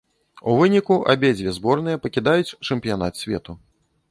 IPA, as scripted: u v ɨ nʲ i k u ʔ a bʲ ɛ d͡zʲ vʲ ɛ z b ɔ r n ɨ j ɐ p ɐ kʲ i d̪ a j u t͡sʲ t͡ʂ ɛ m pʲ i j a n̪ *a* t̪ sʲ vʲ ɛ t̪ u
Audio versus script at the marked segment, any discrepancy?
no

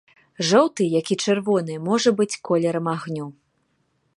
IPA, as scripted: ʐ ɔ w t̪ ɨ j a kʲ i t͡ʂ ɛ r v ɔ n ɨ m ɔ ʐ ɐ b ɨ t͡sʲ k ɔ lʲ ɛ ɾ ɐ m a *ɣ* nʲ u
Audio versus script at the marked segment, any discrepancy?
no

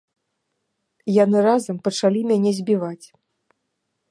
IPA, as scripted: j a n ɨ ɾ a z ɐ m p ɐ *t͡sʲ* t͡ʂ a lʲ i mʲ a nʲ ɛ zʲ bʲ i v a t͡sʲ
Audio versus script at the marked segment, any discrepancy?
yes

